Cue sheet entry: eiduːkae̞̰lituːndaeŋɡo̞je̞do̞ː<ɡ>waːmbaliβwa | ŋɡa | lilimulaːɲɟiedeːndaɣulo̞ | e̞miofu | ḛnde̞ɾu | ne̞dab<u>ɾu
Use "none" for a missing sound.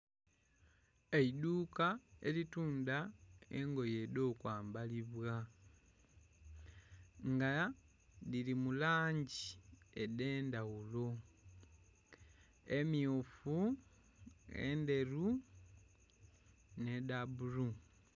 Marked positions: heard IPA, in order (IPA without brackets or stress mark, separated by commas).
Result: k, u